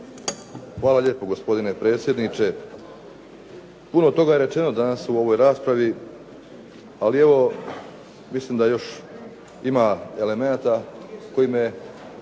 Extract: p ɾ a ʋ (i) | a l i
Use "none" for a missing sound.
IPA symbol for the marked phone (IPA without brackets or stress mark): i